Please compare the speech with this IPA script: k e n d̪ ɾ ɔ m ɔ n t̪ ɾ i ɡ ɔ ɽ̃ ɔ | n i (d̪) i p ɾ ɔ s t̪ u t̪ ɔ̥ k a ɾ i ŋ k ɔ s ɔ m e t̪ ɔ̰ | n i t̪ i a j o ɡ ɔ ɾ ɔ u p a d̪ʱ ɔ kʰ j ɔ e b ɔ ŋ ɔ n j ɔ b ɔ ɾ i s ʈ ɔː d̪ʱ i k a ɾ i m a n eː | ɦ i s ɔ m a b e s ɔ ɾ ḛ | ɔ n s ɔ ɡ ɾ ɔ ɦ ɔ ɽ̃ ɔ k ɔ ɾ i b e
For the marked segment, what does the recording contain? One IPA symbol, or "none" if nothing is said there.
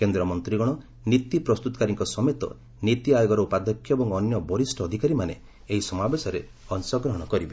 t̪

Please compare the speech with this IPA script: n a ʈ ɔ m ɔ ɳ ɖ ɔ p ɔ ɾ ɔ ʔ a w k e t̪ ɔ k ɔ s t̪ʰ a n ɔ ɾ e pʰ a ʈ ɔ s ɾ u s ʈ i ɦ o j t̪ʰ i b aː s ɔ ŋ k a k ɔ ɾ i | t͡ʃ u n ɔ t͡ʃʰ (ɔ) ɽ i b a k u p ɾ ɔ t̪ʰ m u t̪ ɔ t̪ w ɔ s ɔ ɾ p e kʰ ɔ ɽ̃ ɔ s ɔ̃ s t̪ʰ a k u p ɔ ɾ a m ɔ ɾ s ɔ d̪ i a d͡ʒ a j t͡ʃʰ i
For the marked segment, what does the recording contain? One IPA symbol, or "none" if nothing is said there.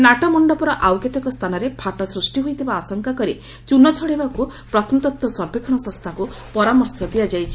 ɔ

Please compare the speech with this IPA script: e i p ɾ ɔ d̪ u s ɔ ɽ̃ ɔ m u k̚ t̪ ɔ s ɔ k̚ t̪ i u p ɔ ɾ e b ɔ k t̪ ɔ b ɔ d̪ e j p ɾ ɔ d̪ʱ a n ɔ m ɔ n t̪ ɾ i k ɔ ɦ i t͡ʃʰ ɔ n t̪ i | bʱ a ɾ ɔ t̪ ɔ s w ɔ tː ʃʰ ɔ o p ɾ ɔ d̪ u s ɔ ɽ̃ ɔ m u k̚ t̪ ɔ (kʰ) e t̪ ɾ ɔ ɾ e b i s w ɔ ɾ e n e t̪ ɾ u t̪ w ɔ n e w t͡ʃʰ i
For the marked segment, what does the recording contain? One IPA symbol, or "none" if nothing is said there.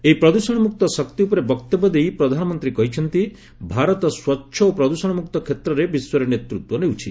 kʰ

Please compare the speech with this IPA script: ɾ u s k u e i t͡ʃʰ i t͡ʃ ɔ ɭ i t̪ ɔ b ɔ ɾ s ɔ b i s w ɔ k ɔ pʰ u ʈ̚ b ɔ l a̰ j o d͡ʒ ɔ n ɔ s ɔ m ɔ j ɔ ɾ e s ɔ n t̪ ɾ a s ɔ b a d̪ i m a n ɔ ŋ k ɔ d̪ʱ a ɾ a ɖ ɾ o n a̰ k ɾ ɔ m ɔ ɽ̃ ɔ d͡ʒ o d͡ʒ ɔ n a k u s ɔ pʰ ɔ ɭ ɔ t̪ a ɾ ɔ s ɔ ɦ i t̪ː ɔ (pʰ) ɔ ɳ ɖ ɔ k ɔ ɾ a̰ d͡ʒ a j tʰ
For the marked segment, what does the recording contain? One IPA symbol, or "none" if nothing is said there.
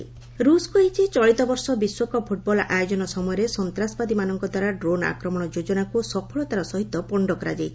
p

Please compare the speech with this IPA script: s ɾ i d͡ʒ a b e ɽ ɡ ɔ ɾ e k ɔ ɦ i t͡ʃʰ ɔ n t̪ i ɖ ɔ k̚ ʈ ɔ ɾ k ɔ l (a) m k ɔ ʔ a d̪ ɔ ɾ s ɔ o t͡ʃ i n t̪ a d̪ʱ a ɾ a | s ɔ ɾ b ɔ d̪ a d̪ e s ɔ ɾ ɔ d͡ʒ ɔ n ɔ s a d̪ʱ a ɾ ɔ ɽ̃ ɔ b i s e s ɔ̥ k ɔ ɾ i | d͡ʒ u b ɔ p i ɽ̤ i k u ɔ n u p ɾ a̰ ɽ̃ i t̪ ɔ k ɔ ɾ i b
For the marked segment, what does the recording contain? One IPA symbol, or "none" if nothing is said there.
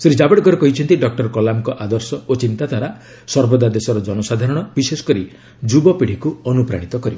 a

